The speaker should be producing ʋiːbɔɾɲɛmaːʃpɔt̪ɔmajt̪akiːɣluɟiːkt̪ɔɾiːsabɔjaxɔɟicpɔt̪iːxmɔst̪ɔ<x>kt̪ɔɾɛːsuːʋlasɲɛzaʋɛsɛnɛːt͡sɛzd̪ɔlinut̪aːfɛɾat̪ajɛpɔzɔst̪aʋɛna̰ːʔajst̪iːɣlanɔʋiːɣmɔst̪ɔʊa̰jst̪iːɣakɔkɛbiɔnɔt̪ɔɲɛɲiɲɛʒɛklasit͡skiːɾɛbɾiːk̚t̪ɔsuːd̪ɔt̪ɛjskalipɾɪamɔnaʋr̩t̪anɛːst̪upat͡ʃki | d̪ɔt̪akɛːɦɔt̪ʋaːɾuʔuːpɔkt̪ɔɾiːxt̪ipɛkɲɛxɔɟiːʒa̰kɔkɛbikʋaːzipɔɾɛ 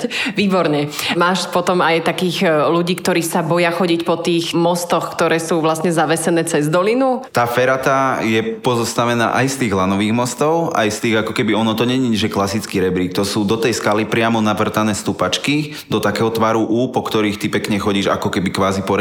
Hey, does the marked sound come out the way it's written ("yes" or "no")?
yes